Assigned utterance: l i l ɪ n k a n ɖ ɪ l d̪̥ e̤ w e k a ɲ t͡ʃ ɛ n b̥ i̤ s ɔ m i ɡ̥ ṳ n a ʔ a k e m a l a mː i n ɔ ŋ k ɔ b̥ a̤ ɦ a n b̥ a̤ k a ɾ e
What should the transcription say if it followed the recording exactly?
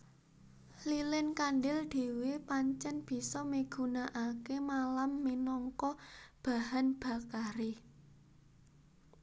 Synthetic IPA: l i l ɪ n k a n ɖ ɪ l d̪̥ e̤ w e p a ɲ t͡ʃ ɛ n b̥ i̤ s ɔ m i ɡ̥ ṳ n a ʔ a k e m a l a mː i n ɔ ŋ k ɔ b̥ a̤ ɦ a n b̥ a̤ k a ɾ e